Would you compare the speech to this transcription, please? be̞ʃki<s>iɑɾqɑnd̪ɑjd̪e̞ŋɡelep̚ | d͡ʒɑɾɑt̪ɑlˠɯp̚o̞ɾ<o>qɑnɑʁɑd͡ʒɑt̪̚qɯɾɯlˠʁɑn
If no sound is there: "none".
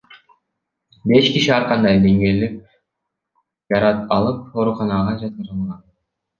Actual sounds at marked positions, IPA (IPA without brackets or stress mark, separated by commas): ʃ, u